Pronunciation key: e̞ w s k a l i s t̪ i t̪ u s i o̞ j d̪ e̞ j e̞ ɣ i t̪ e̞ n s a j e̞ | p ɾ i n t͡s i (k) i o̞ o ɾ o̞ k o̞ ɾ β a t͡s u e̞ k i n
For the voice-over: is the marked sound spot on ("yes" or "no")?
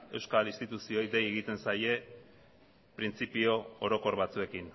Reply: no